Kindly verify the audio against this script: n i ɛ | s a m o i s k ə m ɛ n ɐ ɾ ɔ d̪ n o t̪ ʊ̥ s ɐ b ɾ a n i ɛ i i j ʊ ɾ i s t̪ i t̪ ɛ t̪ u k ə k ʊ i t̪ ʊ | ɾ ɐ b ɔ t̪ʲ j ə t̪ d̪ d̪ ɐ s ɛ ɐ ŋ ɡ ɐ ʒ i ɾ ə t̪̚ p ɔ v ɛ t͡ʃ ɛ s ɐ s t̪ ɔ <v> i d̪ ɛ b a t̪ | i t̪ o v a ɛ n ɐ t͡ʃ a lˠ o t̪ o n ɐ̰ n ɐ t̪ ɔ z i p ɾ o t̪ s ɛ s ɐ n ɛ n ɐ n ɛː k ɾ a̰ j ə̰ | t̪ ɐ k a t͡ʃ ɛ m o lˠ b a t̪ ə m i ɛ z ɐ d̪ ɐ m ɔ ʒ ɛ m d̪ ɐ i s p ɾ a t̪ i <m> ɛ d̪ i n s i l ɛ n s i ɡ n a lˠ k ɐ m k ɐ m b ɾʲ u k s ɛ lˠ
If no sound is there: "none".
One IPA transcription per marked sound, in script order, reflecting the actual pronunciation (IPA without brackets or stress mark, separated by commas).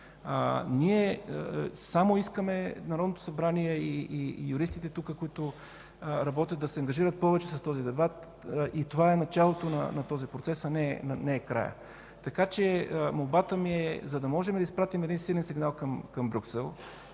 z, m